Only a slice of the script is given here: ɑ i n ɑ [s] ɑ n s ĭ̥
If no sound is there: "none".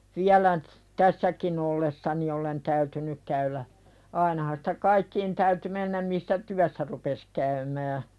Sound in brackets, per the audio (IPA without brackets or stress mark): h